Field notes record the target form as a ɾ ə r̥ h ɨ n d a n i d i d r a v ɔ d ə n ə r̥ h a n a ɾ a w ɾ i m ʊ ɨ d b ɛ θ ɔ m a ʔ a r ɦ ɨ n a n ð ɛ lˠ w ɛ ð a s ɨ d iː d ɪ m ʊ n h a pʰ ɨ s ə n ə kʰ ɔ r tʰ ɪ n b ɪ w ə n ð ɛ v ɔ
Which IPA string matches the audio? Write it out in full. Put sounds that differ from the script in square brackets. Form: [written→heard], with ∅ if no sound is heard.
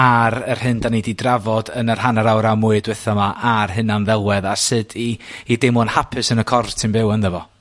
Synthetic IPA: a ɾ ə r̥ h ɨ n d a n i d i d r a v ɔ d ə n ə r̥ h a n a ɾ a w ɾ [i→a] m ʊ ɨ d [b→w] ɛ θ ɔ m a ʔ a r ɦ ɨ n a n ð ɛ lˠ w ɛ ð a s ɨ d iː d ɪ m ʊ n h a pʰ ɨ s ə n ə kʰ ɔ r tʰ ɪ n b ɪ w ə n ð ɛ v ɔ